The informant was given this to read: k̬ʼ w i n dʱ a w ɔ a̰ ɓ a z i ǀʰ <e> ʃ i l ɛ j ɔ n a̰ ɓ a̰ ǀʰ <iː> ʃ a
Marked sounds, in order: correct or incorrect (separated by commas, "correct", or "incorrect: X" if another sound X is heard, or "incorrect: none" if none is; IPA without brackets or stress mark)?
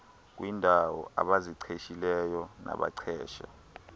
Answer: correct, incorrect: ɛː